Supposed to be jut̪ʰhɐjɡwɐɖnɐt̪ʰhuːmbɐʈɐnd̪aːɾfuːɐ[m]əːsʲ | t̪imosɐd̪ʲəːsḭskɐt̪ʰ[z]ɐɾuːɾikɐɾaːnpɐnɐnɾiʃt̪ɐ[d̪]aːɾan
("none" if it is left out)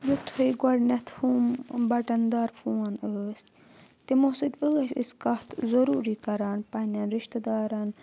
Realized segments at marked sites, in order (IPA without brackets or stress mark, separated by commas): n, z, d̪